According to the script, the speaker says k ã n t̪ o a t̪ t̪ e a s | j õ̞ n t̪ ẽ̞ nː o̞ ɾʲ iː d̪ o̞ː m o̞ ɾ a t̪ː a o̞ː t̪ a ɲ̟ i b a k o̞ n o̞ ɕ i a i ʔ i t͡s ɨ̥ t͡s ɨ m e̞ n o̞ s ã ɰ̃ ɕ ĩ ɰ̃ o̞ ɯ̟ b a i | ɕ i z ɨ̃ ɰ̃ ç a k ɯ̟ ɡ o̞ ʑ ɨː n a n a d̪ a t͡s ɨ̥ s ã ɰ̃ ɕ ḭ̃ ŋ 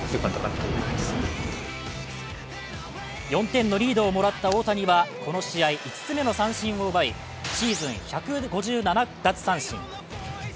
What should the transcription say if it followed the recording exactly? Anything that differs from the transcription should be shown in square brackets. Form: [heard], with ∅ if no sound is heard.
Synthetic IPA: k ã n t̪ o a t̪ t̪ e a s | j õ̞ n t̪ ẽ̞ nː o̞ ɾʲ iː d̪ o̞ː m o̞ ɾ a t̪ː a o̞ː t̪ a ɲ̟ i [β] a k o̞ n o̞ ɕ i a i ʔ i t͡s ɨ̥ t͡s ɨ m e̞ n o̞ s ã ɰ̃ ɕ ĩ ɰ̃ o̞ ɯ̟ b a i | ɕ [iː] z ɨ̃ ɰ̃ ç a k ɯ̟ ɡ o̞ ʑ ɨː n a n a d̪ a t͡s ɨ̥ s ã ɰ̃ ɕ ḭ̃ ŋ